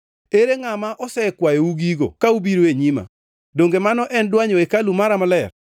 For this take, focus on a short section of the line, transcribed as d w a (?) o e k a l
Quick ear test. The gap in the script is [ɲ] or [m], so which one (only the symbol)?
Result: ɲ